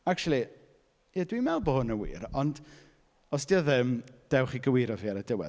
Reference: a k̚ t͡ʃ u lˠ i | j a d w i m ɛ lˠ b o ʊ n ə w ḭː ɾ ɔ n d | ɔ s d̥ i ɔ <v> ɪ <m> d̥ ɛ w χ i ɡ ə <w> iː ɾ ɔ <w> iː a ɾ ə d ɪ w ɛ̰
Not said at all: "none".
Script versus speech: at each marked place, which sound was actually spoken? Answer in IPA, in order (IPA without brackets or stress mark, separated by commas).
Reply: ð, m, w, v